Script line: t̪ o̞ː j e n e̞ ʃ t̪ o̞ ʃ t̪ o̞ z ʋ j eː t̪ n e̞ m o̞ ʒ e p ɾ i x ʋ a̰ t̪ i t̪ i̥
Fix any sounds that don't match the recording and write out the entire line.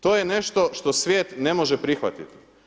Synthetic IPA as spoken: t̪ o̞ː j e n e̞ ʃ t̪ o̞ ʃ t̪ o̞ s ʋ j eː t̪ n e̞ m o̞ ʒ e p ɾ i x ʋ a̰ t̪ i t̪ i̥